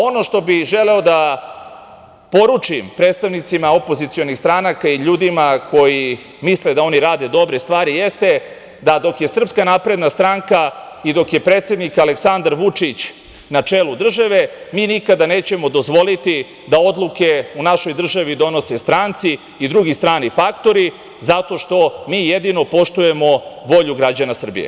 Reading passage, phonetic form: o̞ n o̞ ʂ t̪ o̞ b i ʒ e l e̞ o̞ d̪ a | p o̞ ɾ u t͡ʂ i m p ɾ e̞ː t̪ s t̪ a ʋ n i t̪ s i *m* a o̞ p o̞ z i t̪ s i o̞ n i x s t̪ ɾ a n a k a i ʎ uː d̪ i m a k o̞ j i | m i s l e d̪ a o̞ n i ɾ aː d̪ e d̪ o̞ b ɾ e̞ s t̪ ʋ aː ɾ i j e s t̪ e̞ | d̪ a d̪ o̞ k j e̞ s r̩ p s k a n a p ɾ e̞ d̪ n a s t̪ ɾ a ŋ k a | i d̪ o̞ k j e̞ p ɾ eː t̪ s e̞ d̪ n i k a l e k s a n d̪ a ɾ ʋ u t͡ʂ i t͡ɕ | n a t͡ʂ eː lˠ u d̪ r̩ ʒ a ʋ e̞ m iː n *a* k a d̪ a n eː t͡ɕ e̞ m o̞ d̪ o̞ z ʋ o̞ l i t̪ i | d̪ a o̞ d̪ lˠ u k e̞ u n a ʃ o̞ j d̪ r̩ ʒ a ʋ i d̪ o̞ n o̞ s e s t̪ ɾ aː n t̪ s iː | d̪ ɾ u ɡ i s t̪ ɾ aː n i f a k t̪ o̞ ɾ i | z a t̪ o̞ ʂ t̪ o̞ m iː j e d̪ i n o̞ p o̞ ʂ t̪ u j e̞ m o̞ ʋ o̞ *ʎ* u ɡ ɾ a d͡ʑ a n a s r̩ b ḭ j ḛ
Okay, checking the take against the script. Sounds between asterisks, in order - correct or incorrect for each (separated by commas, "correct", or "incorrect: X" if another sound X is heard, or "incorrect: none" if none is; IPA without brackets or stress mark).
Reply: correct, incorrect: i, correct